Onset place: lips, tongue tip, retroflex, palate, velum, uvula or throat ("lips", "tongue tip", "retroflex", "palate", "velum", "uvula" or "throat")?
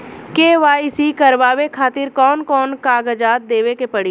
velum